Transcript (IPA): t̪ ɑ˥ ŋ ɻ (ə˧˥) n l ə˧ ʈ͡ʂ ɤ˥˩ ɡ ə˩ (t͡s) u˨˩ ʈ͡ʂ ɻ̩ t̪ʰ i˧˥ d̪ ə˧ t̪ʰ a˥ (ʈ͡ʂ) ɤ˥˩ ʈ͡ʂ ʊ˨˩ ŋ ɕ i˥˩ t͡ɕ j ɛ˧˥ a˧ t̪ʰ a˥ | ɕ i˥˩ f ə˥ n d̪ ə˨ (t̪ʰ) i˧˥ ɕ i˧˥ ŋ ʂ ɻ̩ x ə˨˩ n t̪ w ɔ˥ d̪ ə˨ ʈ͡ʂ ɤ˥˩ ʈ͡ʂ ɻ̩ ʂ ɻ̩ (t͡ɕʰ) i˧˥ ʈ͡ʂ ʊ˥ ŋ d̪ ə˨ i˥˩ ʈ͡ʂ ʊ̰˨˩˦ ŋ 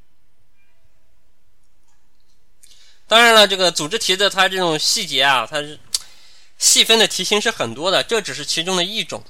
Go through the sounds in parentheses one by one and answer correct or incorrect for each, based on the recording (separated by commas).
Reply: incorrect, correct, correct, correct, correct